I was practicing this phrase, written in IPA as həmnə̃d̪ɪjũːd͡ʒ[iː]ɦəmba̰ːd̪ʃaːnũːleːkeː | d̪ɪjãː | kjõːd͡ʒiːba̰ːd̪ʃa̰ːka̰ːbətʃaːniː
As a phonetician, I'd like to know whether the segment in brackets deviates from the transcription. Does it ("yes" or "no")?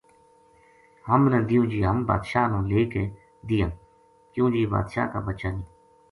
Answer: no